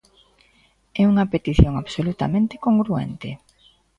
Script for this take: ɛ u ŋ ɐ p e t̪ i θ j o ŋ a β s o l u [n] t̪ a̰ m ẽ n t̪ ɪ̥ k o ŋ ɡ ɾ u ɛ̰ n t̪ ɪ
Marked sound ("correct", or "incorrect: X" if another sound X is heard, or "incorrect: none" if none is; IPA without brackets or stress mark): incorrect: none